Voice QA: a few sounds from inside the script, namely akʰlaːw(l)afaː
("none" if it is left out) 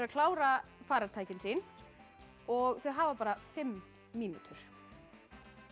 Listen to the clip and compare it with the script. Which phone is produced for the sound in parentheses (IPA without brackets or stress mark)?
ɾ